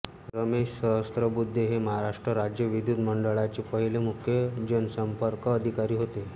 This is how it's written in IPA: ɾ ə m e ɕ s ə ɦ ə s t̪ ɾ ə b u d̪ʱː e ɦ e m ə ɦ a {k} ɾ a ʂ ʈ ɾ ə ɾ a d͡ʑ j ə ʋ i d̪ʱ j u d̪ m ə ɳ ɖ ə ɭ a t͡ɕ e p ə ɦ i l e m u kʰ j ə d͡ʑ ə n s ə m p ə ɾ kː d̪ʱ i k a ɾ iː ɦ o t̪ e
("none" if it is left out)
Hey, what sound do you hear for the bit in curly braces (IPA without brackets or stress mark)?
none